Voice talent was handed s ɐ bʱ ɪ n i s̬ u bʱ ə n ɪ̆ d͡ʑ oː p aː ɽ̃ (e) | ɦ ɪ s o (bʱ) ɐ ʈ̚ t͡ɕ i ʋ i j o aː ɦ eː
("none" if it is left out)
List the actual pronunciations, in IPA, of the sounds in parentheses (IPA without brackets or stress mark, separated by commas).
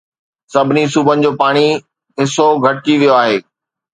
i, ɡʱ